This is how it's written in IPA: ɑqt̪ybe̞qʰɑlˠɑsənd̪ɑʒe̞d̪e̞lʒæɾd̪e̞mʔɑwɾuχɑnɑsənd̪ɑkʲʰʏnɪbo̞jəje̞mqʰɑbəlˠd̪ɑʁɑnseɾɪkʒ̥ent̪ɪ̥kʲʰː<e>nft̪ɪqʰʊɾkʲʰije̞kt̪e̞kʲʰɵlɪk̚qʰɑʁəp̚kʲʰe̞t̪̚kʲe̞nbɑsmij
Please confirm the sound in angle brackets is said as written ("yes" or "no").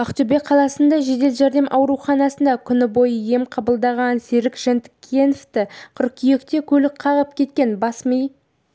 yes